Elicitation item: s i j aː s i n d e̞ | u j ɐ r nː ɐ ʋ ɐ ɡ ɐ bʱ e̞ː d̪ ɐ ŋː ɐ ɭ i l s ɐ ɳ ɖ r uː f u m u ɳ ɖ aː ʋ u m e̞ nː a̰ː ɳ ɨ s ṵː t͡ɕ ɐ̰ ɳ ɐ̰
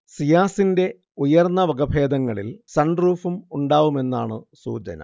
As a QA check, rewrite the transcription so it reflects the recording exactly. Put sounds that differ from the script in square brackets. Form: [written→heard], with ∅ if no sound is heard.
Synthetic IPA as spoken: s i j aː s i n d e̞ | u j ɐ r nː ɐ ʋ ɐ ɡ ɐ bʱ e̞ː d̪ ɐ ŋː ɐ ɭ i l s ɐ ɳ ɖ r uː f u m u ɳ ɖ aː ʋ u m e̞ nː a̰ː ɳ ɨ s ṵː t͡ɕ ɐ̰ [ɳ→n] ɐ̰